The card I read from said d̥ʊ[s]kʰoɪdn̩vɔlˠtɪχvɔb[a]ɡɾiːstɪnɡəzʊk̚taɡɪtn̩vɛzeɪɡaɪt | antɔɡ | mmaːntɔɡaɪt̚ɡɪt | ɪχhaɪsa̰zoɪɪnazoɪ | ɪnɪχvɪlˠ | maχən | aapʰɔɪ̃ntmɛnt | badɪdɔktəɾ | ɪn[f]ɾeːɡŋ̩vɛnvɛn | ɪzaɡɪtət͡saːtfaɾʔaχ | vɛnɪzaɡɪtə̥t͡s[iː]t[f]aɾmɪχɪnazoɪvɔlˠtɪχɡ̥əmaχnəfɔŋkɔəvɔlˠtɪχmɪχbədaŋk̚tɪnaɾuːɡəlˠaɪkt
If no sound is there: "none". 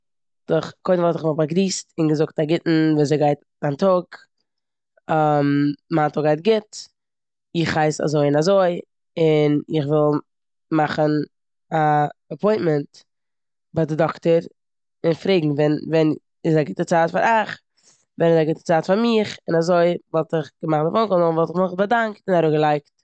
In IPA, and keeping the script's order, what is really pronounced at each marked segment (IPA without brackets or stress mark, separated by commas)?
χ, a, f, aː, f